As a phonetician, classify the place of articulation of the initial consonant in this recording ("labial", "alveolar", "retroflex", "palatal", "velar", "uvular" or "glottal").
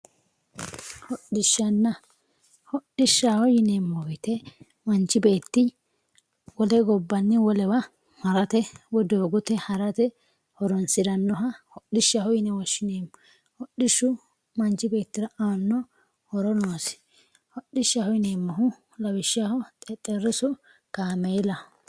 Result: glottal